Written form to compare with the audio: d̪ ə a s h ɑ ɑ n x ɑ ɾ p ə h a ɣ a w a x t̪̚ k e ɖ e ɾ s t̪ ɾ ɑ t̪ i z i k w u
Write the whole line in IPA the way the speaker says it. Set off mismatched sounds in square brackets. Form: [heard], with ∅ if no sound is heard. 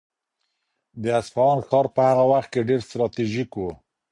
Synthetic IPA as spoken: d̪ ə a s [f] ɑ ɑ n x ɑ ɾ p ə h a ɣ a w a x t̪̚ k e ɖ e ɾ s t̪ ɾ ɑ t̪ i [ʒ] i k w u